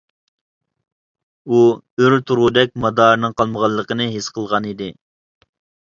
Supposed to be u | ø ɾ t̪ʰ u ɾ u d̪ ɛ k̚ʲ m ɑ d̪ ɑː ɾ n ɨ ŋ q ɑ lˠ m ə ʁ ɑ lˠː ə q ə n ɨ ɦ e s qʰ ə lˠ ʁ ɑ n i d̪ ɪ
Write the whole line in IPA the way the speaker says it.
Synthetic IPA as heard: u | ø ɾ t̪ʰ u ɾ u d̪ ɛ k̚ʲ m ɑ d̪ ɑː ɾ n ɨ ŋ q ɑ lˠ m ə ʁ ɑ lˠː ə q ə n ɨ ɦ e s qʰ ə lˠ ʁ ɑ n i d̪ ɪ

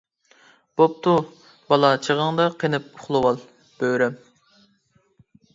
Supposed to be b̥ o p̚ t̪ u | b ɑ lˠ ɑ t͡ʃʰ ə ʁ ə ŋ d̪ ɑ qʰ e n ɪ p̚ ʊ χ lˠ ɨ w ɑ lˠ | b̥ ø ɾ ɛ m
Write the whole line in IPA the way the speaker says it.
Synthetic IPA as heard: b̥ o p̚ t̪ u | b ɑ lˠ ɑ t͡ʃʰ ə ʁ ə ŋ d̪ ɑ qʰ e n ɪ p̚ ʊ χ lˠ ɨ w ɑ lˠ | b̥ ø ɾ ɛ m

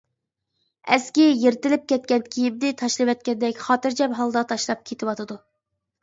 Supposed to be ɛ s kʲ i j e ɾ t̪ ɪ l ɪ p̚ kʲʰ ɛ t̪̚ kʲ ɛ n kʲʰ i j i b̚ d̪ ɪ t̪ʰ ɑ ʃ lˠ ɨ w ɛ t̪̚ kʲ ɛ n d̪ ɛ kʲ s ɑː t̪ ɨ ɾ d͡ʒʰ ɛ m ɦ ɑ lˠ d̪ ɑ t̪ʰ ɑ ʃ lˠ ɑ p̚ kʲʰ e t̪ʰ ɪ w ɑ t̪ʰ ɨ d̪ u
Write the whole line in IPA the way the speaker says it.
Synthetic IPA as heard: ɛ s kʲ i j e ɾ t̪ ɪ l ɪ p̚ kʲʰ ɛ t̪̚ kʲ ɛ n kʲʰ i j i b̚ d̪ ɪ t̪ʰ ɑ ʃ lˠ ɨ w ɛ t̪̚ kʲ ɛ n d̪ ɛ kʲ χ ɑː t̪ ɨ ɾ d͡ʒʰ ɛ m ɦ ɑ lˠ d̪ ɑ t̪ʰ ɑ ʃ lˠ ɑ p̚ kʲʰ e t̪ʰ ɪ w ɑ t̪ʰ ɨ d̪ u

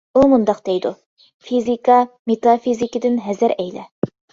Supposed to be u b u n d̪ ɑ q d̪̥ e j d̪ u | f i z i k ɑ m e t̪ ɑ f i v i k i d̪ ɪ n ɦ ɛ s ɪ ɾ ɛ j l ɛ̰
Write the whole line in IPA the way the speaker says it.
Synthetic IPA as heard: u m u n d̪ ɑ q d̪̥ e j d̪ u | f i z i k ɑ m e t̪ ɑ f i z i k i d̪ ɪ n ɦ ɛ z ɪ ɾ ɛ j l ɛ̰

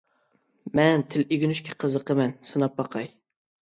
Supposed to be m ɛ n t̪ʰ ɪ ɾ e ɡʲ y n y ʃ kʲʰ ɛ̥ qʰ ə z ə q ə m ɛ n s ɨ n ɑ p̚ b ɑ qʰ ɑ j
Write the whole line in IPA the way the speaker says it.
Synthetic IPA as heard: m ɛ n t̪ʰ ɪ l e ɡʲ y n y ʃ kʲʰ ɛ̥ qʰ ə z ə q ə m ɛ n s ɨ n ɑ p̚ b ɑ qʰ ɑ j

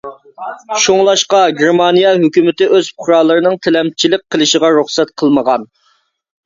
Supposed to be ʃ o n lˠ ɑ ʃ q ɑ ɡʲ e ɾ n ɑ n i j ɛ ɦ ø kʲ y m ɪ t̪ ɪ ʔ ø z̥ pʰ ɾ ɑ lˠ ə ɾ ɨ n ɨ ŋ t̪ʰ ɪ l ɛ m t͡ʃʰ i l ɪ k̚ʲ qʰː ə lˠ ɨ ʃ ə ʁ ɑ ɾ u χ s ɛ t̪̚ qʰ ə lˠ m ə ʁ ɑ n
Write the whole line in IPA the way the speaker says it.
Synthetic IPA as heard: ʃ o ŋ lˠ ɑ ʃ q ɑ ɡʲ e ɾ m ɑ n i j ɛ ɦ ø kʲ y m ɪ t̪ ɪ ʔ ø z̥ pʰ ɾ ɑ lˠ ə ɾ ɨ n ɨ ŋ t̪ʰ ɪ l ɛ m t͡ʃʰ i l ɪ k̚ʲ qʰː ə lˠ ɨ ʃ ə ʁ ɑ ɾ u χ s ɛ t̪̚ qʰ ə lˠ m ə ʁ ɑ n

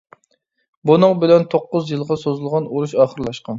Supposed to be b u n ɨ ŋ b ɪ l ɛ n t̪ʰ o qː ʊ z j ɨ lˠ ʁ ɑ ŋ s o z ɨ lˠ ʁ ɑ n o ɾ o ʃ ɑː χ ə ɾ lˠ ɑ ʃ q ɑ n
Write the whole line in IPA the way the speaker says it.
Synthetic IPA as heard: b u n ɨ ŋ b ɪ l ɛ n t̪ʰ o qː ʊ z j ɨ lˠ ʁ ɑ s o z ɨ lˠ ʁ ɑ n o ɾ u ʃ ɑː χ ə ɾ lˠ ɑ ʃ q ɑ n

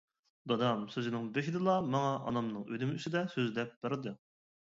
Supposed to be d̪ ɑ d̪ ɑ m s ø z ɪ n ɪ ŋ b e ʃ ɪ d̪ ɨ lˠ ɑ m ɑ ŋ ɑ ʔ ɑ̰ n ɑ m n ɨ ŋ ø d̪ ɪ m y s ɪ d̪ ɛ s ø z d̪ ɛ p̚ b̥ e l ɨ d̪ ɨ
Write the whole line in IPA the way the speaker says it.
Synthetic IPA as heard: d̪ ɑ d̪ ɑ m s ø z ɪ n ɪ ŋ b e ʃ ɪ d̪ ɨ lˠ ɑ m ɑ ŋ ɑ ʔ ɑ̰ n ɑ m n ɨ ŋ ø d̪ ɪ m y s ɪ d̪ ɛ s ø z d̪ ɛ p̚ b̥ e ɾ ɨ d̪ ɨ

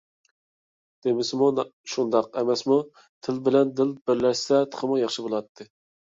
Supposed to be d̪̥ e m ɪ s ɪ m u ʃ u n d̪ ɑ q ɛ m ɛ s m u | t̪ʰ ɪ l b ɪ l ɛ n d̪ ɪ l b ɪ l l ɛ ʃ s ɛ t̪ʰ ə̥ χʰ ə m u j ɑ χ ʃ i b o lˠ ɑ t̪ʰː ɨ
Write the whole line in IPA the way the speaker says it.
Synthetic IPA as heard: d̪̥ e m ɪ s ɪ m u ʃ u n d̪ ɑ q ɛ m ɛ s m u | t̪ʰ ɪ l b ɪ l ɛ n d̪ ɪ l b ɪ ɾ l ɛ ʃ s ɛ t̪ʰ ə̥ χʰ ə m u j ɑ χ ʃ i b o lˠ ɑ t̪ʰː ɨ

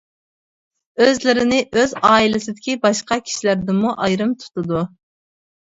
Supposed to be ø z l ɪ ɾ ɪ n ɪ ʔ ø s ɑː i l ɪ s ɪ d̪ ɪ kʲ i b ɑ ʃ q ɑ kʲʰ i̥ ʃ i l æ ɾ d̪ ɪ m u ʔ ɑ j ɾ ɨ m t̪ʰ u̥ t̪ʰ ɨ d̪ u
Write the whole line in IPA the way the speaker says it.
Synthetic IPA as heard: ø z l ɪ ɾ ɪ n ɪ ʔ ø z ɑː i l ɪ s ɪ d̪ ɪ kʲ i b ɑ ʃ q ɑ kʲʰ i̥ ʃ i l æ ɾ d̪ ɪ m u ʔ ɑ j ɾ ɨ m t̪ʰ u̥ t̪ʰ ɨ d̪ u

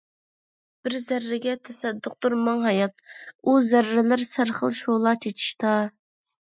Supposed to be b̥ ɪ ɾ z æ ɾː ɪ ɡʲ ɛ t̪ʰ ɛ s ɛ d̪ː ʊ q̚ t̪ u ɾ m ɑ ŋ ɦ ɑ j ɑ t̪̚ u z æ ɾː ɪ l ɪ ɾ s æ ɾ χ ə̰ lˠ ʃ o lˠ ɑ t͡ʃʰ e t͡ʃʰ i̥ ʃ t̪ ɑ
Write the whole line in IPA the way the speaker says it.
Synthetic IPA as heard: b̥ ɪ ɾ z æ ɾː ɪ ɡʲ ɛ t̪ʰ ɛ s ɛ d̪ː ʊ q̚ t̪ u ɾ m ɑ ŋ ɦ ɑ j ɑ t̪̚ u z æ ɾː ɪ l ɪ ɾ s æ ɾ χ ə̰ lˠ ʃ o lˠ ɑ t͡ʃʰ e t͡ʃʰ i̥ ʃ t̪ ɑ

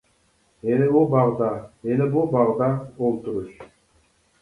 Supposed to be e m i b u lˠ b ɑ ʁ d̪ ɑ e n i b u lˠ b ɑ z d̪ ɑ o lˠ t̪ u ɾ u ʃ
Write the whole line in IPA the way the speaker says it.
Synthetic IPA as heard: e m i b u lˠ b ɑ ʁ d̪ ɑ e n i b u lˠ b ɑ ʁ d̪ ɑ o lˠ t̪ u ɾ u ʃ

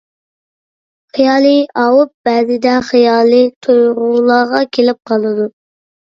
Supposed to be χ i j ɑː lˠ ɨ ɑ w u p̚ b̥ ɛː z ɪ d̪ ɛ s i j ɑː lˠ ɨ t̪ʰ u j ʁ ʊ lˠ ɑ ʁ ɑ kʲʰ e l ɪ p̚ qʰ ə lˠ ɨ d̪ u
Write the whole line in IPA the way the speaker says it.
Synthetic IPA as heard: χ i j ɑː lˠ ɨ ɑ w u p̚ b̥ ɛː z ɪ d̪ ɛ χ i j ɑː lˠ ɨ t̪ʰ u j ʁ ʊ lˠ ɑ ʁ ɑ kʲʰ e l ɪ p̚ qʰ ɑ lˠ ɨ d̪ u

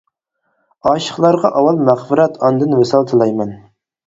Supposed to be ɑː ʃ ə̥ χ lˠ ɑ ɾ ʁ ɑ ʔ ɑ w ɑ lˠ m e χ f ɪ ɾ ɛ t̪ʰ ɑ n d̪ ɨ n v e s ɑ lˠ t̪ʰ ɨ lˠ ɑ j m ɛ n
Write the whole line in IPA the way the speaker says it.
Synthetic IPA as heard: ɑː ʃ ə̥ χ lˠ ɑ ɾ ʁ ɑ ʔ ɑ w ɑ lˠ m æ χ f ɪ ɾ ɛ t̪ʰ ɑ n d̪ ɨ n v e s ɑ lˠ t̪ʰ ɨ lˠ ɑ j m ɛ n

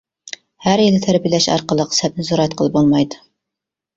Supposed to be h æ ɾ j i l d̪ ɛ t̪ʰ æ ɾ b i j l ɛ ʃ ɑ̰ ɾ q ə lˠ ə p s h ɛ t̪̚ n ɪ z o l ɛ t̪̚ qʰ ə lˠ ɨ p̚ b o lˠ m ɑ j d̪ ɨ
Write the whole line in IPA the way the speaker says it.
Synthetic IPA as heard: h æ ɾ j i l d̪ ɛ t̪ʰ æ ɾ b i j l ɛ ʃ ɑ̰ ɾ q ə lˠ ə q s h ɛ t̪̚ n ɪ z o ɾ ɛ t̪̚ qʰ ə lˠ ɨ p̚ b o lˠ m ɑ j d̪ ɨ

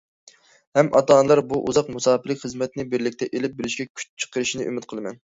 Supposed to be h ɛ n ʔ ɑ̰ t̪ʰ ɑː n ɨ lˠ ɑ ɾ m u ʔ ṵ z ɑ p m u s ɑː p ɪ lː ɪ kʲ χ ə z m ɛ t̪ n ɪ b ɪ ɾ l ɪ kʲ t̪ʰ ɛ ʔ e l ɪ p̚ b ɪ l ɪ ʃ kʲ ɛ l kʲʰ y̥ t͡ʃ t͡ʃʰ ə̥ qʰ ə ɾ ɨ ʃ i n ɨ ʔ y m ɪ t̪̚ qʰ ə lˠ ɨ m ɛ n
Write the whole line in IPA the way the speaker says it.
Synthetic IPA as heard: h ɛ m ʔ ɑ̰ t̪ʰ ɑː n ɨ lˠ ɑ ɾ b u ʔ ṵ z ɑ q m u s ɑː p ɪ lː ɪ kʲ χ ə z m ɛ t̪ n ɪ b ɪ ɾ l ɪ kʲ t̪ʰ ɛ ʔ e l ɪ p̚ b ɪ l ɪ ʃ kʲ ɛ kʲʰ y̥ t͡ʃ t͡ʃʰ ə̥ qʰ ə ɾ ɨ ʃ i n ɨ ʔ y m ɪ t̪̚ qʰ ə lˠ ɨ m ɛ n

